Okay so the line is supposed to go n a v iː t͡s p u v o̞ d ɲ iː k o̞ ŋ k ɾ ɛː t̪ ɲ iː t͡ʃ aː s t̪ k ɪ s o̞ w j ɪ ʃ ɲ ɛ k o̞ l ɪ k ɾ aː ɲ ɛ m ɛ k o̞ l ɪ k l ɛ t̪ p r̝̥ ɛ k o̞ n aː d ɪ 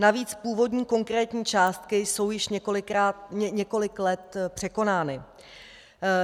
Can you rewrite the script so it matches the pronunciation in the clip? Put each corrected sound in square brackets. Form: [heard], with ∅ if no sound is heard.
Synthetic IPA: n a v iː t͡s p [uː] v o̞ d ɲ iː k o̞ ŋ k ɾ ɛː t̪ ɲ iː t͡ʃ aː s t̪ k ɪ s o̞ w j ɪ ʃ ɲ ɛ k o̞ l ɪ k ɾ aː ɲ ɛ [ɲ] ɛ k o̞ l ɪ k l ɛ t̪ p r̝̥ ɛ k o̞ n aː [n] ɪ

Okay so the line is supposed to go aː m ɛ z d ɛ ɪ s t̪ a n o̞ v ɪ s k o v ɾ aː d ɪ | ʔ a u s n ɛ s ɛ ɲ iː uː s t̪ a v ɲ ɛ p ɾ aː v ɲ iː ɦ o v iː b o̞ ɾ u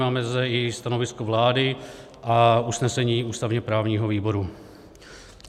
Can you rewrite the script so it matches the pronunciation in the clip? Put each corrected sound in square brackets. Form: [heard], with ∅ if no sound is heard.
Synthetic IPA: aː m ɛ z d ɛ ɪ s t̪ a n o̞ v ɪ s k o v [l] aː d ɪ | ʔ a u s n ɛ s ɛ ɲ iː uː s t̪ a v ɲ ɛ p ɾ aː v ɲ iː ɦ o v iː b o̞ ɾ u

